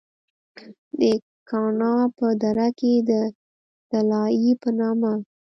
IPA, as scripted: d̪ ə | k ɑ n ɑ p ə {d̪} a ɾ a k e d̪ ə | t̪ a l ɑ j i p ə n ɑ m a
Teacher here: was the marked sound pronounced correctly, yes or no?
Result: yes